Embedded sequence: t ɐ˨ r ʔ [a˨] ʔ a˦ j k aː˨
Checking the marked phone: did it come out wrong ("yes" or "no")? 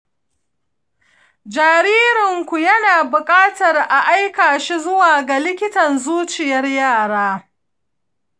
no